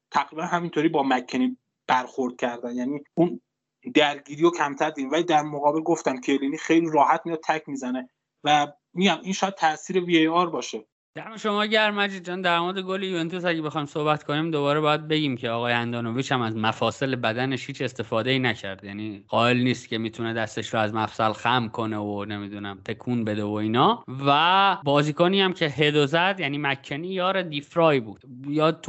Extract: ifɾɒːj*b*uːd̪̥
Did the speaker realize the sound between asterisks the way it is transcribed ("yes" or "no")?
yes